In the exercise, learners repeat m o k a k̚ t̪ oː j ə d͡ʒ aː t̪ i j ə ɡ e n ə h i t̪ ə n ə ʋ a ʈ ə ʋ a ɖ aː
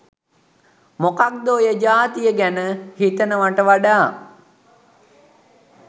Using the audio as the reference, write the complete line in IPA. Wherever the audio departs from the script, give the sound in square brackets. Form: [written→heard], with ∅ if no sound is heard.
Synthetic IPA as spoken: m o k a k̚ [t̪→d̪] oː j ə d͡ʒ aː t̪ i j ə ɡ [e→æ] n ə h i t̪ ə n ə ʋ a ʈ ə ʋ a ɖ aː